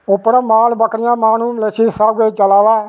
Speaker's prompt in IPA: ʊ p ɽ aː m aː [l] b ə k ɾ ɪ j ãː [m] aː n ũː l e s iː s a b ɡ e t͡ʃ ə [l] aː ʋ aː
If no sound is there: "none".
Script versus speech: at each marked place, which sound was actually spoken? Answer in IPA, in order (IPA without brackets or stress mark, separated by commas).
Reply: l, m, l